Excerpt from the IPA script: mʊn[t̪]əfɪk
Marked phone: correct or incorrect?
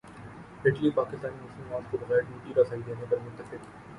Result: correct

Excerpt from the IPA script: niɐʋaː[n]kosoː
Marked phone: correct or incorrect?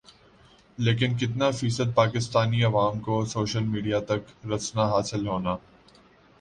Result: incorrect: m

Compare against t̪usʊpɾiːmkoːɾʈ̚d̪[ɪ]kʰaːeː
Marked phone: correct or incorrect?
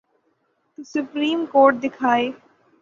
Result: correct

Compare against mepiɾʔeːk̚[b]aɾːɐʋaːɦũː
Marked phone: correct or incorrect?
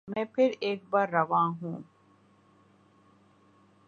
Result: correct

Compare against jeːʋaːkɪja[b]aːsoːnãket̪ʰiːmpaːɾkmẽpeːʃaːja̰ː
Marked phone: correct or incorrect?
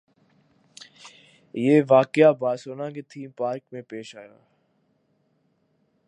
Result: correct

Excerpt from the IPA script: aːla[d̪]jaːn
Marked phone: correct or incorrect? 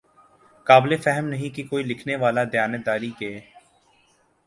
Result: correct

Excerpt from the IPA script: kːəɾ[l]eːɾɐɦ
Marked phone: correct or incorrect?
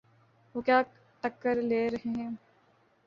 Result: correct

